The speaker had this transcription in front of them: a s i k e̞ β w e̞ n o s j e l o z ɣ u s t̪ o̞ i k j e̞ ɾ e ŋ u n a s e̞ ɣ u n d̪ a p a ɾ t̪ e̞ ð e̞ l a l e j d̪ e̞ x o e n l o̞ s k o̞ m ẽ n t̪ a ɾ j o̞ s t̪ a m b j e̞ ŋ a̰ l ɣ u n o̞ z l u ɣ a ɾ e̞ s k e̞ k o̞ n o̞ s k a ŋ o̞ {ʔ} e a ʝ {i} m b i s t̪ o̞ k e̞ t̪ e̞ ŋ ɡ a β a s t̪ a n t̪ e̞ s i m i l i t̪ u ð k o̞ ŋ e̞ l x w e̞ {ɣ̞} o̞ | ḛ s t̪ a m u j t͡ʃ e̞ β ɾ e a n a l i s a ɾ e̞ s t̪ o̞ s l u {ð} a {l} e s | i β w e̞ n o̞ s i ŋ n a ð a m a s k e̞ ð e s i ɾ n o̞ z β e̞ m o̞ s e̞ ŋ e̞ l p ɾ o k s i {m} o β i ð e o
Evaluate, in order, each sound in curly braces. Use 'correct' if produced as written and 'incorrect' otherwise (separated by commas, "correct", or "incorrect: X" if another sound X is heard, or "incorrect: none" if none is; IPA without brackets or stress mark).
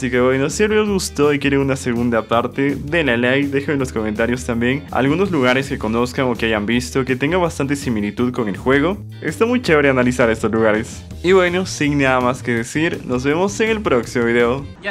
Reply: incorrect: k, incorrect: a, correct, incorrect: ɣ, incorrect: ɾ, correct